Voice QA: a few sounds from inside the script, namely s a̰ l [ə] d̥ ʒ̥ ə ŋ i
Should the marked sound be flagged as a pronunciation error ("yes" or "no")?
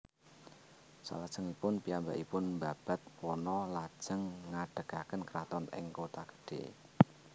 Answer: yes